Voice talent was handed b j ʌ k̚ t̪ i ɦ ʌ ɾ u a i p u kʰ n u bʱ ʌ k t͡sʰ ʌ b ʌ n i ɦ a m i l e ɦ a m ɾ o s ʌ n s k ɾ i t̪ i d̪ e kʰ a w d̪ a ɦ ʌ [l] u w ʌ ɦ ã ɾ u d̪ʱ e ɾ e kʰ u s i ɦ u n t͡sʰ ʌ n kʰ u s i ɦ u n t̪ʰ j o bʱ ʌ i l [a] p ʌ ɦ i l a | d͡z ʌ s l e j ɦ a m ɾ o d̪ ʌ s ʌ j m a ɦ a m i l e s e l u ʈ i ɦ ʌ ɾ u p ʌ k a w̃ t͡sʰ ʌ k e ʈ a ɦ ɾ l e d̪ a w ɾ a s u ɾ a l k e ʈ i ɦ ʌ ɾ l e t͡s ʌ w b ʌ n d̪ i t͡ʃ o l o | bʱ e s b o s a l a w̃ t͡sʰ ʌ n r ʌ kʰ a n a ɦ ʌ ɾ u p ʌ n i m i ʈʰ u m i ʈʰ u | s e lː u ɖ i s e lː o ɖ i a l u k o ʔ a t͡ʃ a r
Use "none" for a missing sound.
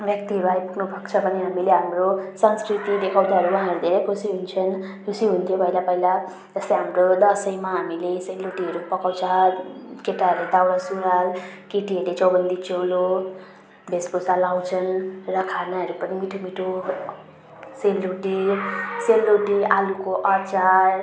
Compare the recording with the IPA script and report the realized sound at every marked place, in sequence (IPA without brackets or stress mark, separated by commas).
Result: ɾ, a